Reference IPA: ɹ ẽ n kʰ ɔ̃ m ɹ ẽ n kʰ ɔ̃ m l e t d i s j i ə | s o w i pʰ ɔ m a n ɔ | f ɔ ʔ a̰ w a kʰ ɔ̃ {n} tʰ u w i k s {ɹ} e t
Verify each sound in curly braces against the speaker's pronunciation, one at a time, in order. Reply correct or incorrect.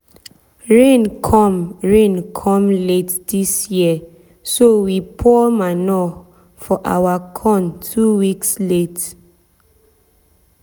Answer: correct, incorrect: l

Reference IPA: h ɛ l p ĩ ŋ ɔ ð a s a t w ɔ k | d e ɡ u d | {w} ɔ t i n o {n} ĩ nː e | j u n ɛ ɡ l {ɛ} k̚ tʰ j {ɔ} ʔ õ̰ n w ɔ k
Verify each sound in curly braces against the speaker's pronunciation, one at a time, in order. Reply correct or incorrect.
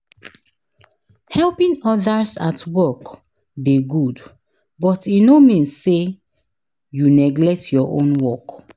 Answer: incorrect: b, incorrect: m, correct, correct

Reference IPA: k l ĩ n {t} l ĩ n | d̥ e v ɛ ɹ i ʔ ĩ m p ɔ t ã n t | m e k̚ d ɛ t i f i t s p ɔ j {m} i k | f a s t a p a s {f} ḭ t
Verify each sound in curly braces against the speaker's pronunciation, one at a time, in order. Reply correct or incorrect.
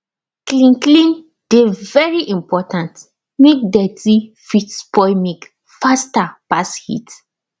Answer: incorrect: k, correct, incorrect: h

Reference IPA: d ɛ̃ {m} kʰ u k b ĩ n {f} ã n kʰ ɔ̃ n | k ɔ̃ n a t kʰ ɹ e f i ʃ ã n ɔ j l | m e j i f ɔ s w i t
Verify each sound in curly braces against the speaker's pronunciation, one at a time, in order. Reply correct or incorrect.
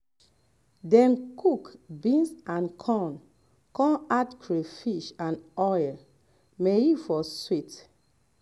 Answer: incorrect: n, incorrect: s

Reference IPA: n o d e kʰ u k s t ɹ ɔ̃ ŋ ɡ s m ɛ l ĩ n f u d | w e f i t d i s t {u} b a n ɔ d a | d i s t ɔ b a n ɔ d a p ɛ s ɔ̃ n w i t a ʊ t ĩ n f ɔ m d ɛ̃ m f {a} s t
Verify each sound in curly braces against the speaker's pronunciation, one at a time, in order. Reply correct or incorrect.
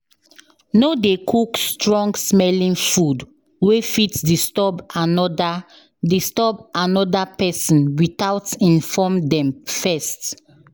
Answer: incorrect: ɔ, incorrect: ɛ

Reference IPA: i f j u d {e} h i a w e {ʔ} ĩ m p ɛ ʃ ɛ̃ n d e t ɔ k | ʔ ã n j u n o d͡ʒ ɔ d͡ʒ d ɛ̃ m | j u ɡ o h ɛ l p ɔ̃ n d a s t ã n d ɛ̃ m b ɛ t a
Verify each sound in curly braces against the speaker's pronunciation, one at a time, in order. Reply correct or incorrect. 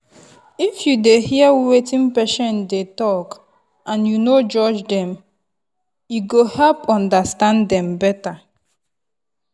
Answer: correct, incorrect: t

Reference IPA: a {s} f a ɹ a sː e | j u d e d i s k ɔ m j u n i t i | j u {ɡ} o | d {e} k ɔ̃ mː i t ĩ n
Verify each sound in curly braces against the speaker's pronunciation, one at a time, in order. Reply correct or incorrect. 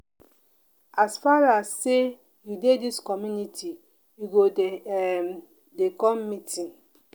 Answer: correct, correct, correct

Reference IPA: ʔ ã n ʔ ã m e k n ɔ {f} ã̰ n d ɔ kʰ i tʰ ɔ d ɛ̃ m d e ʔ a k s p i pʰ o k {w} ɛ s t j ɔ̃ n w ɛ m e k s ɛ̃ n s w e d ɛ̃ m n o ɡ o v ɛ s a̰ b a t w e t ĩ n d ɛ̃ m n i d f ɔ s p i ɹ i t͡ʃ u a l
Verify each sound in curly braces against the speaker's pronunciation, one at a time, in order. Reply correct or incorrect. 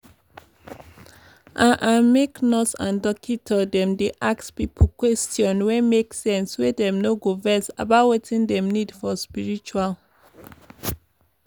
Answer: incorrect: s, correct

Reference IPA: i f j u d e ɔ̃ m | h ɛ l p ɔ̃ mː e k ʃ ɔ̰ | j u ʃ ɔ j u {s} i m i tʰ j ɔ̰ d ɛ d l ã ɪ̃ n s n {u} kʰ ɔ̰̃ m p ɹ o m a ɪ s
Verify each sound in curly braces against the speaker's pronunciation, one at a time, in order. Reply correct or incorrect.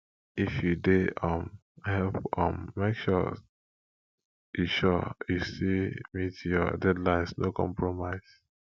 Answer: correct, incorrect: o

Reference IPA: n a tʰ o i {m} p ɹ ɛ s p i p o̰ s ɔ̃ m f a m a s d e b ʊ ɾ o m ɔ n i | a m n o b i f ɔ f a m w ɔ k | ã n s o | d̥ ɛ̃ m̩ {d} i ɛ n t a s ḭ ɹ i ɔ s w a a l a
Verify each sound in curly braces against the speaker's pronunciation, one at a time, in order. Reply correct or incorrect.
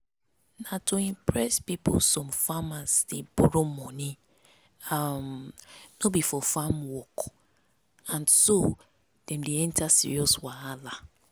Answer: correct, correct

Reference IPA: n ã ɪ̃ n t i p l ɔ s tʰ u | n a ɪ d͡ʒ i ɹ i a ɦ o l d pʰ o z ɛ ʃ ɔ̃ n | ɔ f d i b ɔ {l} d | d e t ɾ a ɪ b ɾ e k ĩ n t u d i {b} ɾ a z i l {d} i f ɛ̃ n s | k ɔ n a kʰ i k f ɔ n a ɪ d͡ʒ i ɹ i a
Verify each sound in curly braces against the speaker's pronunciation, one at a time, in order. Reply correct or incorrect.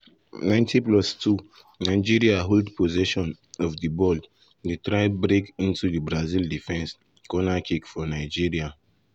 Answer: correct, correct, correct

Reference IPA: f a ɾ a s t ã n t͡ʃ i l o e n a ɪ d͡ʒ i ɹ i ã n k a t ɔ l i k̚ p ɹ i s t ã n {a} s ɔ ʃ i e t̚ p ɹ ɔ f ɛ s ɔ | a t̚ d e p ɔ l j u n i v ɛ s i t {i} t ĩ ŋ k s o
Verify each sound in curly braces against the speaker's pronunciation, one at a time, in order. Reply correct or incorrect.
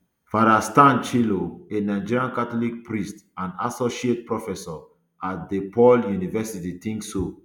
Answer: correct, correct

